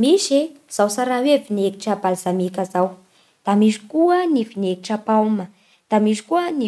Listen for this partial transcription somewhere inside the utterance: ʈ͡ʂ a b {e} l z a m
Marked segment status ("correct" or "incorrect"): incorrect